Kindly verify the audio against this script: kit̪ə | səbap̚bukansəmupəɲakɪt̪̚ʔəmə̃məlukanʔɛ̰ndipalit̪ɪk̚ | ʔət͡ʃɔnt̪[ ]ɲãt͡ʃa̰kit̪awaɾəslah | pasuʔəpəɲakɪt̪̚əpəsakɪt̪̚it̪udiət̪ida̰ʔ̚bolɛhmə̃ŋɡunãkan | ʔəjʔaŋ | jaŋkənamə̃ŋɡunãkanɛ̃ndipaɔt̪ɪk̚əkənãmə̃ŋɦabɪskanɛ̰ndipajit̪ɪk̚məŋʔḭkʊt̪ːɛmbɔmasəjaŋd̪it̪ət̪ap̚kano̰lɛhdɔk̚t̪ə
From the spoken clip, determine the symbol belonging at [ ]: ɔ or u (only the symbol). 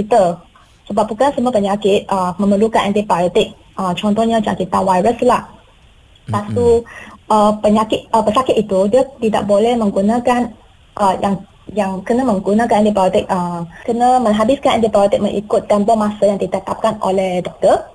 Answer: ɔ